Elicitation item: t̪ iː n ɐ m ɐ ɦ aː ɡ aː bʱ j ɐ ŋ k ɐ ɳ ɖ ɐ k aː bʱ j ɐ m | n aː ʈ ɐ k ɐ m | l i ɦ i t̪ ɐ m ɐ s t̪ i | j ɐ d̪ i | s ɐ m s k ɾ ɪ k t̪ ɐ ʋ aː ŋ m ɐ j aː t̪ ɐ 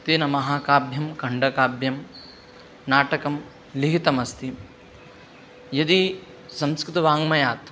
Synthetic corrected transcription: t̪ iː n ɐ m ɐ ɦ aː k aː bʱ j ɐ m k ɐ ɳ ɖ ɐ k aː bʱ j ɐ m | n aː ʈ ɐ k ɐ m | l i ɦ i t̪ ɐ m ɐ s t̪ i | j ɐ d̪ i | s ɐ m s k ɾ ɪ t̪ ɐ ʋ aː ŋ m ɐ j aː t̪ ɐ